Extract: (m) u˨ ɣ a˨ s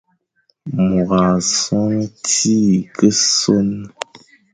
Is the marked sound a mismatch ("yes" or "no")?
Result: no